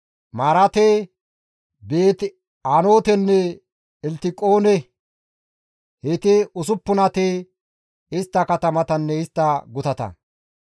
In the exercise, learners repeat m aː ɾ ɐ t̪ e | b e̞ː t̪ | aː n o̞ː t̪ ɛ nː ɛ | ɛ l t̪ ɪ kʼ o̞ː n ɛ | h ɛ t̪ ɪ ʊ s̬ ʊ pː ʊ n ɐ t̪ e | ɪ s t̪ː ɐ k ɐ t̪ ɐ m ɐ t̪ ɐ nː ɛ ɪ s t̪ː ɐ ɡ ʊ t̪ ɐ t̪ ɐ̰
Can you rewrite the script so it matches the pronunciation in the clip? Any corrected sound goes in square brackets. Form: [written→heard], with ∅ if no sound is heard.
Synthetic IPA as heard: m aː ɾ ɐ t̪ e | b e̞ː t̪ | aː n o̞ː t̪ ɛ nː ɛ | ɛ l t̪ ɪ kʼ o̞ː n ɛ | h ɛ t̪ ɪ ʊ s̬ ʊ pː ʊ n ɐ t̪ e | ɪ s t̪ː ɐ k ɐ t̪ ɐ m ɐ t̪ ɐ nː ɛ ɪ s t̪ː ɐ ɡ ʊ t̪ ɐ t̪ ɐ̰